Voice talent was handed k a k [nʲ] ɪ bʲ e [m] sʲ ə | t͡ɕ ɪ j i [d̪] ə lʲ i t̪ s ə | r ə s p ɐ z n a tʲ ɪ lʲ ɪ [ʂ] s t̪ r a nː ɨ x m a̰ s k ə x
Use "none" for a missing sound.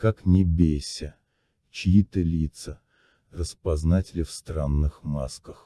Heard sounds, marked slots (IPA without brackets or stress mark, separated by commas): nʲ, none, t̪, f